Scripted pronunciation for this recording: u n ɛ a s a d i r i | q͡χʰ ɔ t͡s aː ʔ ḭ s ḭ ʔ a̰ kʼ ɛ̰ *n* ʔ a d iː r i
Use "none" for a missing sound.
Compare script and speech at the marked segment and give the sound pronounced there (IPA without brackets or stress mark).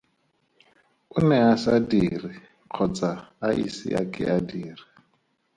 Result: none